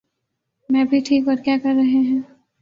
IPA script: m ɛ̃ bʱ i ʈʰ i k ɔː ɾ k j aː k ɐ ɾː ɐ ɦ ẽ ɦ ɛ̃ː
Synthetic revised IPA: m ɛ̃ bʱ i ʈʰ iː k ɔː ɾ k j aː k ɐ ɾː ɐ ɦ e ɦ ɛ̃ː